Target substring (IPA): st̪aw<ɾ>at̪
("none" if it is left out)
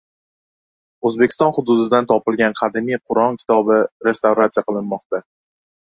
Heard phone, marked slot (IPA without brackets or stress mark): ɾ